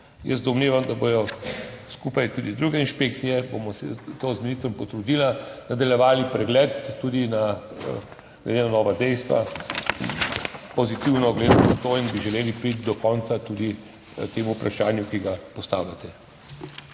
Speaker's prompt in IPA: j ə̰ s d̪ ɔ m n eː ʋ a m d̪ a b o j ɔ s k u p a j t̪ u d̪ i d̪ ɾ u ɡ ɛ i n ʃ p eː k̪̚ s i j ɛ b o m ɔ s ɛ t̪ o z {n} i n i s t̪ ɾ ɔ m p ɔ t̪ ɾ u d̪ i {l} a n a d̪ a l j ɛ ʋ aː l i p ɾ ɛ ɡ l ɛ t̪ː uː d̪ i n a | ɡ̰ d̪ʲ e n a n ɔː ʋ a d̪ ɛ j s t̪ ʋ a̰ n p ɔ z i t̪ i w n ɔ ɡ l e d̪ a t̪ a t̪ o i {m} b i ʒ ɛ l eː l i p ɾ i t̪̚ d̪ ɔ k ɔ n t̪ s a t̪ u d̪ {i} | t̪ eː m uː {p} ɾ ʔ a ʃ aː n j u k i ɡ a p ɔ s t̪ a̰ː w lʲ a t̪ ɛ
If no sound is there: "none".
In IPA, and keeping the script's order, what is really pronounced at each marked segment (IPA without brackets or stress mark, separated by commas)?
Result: m, l, n, i, p